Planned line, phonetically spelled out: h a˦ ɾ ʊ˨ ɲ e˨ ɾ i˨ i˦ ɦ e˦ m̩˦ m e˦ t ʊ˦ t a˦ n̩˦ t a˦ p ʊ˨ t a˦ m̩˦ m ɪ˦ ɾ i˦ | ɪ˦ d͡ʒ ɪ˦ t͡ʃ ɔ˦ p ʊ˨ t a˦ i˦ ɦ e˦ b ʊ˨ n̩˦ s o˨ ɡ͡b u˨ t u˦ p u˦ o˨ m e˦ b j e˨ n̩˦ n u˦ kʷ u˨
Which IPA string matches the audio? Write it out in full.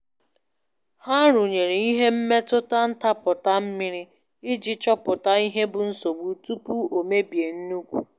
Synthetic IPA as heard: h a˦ ɾ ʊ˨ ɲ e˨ ɾ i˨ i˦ ɦ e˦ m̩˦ m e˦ t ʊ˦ t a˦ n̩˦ t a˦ p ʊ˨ t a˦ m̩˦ m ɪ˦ ɾ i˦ | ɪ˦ d͡ʒ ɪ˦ t͡ʃ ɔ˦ p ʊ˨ t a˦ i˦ ɦ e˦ b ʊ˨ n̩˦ s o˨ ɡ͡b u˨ t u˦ p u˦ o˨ m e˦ b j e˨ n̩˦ n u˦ kʷ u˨